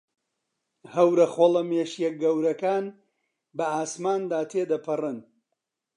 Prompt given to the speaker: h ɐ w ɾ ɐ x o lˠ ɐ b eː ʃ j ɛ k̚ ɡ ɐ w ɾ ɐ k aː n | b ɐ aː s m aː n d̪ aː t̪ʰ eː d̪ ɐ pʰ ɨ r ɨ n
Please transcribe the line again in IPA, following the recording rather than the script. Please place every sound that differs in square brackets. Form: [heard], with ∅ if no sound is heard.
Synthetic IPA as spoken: h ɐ w ɾ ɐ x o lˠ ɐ [m] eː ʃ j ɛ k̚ ɡ ɐ w ɾ ɐ k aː n | b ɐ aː s m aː n d̪ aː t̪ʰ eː d̪ ɐ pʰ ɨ r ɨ n